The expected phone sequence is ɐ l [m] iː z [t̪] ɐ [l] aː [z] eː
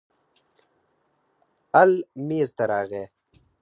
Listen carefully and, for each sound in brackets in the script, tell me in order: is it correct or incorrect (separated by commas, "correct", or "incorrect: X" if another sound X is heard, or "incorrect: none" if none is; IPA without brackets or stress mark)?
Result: correct, correct, incorrect: ɾ, incorrect: ɣ